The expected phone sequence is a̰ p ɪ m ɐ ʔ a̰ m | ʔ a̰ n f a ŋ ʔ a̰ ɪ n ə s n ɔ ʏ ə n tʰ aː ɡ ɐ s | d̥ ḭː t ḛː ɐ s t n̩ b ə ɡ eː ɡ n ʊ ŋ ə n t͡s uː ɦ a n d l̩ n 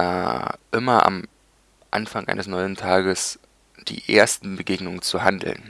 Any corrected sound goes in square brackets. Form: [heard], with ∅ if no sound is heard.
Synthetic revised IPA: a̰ [ʔ] ɪ m ɐ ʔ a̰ m | ʔ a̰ n f a ŋ ʔ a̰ ɪ n ə s n ɔ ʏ ə n tʰ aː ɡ [ə] s | d̥ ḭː [ʔ] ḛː ɐ s t n̩ b ə ɡ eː ɡ n ʊ ŋ ə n t͡s [u] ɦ a n d l̩ n